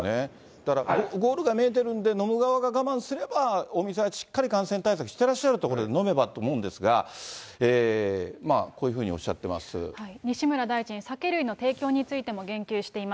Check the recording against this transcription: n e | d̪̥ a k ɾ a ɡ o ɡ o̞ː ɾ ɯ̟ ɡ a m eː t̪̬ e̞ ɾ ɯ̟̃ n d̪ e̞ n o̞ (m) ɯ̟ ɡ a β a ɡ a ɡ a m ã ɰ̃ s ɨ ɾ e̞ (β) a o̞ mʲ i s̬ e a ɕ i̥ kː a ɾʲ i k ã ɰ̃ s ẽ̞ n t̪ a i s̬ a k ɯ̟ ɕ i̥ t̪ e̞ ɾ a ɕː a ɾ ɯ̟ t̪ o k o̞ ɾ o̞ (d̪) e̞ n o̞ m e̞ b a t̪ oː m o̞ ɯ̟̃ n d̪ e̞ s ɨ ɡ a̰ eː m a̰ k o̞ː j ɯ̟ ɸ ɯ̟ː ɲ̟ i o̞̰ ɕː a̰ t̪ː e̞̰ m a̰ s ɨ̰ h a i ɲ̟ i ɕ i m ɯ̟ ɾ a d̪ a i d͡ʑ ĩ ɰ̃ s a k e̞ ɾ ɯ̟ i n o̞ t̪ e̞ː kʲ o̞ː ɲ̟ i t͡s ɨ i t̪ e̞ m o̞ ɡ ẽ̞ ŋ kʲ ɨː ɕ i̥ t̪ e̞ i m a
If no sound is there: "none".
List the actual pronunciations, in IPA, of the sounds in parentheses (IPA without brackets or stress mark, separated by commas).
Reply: m, b, d̪